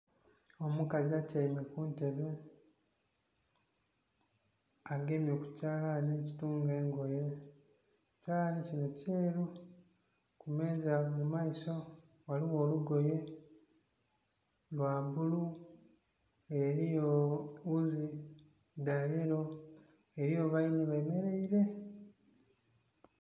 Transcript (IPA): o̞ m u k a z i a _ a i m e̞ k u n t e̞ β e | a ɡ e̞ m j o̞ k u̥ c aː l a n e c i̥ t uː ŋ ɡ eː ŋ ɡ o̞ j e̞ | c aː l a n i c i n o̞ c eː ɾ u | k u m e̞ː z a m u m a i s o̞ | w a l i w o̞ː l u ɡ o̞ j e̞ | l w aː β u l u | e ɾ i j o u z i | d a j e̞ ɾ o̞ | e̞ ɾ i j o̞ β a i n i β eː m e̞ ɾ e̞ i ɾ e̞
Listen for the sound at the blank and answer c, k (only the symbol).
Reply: c